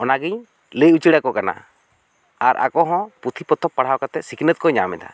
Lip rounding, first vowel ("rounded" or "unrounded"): rounded